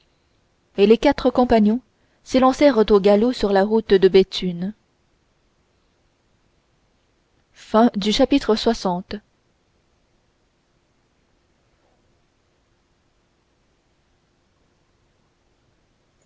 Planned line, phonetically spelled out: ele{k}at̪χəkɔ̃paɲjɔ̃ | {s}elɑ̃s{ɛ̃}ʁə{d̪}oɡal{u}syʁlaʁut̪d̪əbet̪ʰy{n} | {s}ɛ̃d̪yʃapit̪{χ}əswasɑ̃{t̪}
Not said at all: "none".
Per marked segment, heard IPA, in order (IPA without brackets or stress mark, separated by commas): k, s, ɛ, t̪, o, n, f, χ, t̪